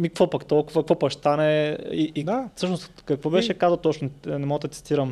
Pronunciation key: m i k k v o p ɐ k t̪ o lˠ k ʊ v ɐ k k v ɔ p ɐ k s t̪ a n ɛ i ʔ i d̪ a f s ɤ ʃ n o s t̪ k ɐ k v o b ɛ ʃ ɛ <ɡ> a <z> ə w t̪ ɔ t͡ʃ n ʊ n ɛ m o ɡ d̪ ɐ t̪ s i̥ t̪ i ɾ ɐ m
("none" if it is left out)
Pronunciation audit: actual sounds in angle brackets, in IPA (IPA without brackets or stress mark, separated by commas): k, z